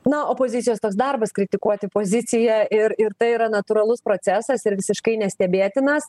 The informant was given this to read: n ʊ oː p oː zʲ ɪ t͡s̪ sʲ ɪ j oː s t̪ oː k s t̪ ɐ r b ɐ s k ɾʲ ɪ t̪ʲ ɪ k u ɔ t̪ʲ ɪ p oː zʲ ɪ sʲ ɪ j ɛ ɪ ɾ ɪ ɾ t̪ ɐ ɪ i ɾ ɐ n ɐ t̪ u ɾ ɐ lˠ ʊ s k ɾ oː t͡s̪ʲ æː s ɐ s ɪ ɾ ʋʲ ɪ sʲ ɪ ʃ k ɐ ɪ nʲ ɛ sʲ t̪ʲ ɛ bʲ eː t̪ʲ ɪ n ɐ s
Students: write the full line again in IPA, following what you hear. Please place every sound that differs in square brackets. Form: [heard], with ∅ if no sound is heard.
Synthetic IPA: n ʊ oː p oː zʲ ɪ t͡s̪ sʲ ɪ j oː s t̪ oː k s [d̪] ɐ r b ɐ s k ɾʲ ɪ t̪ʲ ɪ k u ɔ t̪ʲ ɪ p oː zʲ ɪ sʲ ɪ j ɛ ɪ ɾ ɪ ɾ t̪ ɐ ɪ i ɾ ɐ n ɐ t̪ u ɾ ɐ lˠ ʊ s [p] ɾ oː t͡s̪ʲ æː s ɐ s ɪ ɾ ʋʲ ɪ sʲ ɪ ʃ k ɐ ɪ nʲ ɛ sʲ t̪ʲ ɛ bʲ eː t̪ʲ ɪ n ɐ s